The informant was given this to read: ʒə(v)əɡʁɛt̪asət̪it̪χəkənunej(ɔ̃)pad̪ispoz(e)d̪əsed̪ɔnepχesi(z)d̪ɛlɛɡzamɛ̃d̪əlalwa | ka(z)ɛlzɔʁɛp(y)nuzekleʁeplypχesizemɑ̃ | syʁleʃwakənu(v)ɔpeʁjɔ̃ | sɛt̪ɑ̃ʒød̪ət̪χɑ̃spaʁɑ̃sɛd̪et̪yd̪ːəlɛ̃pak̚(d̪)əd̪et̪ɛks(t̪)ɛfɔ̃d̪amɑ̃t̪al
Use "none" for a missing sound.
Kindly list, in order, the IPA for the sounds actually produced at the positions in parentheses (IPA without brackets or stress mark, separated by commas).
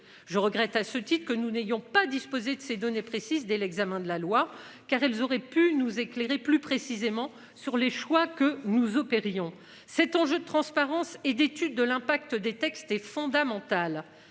ʁ, ɔ̃, e, z, ʁ, y, z, t̪, t̪